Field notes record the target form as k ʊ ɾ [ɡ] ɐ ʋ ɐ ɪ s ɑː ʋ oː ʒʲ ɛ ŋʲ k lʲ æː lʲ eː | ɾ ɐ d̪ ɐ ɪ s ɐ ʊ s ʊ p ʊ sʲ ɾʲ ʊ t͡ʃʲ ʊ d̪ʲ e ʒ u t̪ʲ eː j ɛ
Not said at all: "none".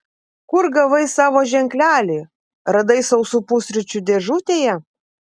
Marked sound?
ɡ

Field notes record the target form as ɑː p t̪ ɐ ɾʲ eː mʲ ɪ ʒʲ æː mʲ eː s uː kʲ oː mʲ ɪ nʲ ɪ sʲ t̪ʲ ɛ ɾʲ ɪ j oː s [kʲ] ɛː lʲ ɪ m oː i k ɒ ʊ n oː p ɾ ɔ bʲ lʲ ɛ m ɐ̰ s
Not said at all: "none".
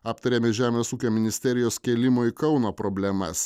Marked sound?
kʲ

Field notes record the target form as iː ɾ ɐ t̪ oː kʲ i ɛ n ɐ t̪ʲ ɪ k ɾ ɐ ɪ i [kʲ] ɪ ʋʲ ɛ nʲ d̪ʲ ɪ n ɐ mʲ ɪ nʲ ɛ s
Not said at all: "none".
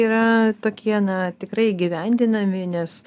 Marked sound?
ɡʲ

